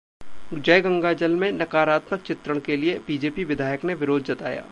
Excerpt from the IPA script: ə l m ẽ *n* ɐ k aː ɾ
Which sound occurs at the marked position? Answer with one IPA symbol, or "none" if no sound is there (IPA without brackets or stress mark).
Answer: n